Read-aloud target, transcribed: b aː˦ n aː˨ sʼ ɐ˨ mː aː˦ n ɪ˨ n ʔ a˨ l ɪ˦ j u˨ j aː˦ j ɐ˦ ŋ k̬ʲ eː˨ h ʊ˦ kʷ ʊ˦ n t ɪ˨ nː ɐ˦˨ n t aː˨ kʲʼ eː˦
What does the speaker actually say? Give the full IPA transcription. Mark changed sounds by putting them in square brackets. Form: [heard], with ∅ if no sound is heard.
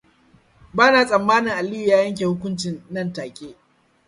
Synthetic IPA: b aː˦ n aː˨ sʼ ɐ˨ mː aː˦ n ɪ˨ [ŋ] ʔ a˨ l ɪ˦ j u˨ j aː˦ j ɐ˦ ŋ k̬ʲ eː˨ h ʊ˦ kʷ ʊ˦ n [t͡ʃ] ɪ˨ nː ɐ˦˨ n t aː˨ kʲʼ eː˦